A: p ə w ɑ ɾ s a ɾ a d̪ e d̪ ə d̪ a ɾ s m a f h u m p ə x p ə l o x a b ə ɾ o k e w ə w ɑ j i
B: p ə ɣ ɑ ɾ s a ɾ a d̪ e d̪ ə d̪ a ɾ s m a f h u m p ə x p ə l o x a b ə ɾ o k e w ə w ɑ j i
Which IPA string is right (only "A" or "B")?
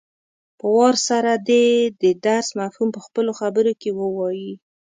A